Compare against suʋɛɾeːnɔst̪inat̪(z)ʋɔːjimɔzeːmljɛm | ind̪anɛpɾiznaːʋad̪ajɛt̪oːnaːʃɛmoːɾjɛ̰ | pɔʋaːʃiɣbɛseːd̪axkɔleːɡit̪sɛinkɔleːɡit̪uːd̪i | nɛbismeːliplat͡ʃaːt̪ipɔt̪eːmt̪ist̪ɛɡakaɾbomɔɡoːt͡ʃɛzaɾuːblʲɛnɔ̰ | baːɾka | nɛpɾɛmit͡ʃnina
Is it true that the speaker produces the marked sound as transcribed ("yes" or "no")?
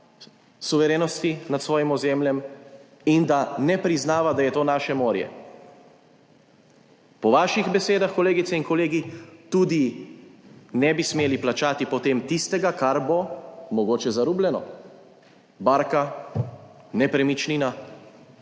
no